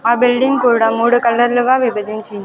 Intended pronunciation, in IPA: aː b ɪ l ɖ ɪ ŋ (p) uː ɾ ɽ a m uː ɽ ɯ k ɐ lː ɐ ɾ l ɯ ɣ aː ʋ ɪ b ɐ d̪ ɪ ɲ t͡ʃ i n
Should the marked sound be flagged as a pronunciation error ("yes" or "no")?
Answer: yes